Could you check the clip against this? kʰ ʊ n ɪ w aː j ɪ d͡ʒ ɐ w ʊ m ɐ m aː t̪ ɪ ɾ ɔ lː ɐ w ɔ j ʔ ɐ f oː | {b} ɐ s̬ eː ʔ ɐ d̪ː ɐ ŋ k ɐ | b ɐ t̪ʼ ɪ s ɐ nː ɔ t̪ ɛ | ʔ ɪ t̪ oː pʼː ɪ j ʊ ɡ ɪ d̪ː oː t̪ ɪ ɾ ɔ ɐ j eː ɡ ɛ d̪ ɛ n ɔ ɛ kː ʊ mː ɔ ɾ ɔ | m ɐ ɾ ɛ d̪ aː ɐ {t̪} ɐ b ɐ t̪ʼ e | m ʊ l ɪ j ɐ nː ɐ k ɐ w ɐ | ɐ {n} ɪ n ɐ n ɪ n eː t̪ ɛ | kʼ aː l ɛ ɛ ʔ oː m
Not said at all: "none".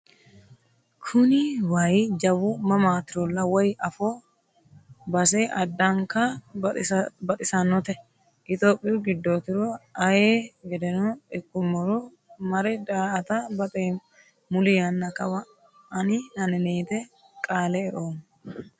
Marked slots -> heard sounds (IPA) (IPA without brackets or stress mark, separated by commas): b, t̪, n